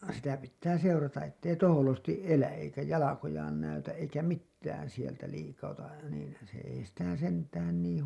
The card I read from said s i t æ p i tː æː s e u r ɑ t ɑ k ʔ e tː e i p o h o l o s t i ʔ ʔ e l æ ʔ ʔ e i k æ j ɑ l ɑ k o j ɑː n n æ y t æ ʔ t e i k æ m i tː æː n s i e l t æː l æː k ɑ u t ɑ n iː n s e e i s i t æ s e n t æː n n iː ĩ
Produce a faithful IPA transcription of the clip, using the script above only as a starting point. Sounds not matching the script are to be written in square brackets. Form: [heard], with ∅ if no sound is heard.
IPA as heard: s i t æ p i tː æː s e u r ɑ t ɑ [ʔ] ʔ e tː e i [t] o h o l o s t i ʔ ʔ e l æ ʔ ʔ e i k æ j ɑ l ɑ k o j ɑː n n æ y t æ ʔ [ʔ] e i k æ m i tː æː n s i e l t [æ] l [iː] k ɑ u t ɑ n iː n s e e i s i t æ s e n t æː n n iː ĩ